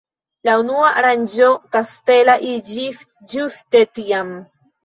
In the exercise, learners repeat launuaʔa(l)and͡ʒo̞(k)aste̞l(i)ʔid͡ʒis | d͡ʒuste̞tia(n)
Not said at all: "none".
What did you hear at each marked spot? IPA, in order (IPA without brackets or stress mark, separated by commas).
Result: ɾ, k, a, m